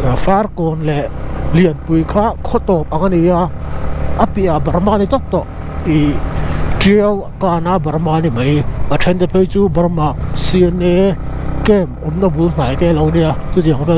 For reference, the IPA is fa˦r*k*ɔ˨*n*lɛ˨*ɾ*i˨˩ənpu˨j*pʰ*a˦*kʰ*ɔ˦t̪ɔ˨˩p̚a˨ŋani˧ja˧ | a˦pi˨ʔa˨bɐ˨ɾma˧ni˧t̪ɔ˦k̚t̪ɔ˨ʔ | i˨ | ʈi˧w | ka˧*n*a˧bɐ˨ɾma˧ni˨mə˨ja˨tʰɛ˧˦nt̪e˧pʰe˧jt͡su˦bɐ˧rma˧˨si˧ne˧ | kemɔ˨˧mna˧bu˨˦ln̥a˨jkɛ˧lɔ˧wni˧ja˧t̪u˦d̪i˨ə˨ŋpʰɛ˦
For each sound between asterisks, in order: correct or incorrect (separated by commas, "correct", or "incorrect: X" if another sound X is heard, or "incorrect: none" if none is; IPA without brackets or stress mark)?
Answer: correct, correct, incorrect: l, incorrect: kʰ, correct, correct